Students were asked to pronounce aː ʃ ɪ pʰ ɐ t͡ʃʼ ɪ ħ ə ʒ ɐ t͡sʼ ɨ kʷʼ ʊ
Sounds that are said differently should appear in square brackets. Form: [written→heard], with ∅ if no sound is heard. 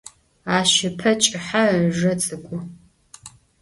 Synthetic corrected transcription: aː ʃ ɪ pʰ ɐ t͡ʃʼ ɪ ħ [ə→a] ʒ ɐ t͡sʼ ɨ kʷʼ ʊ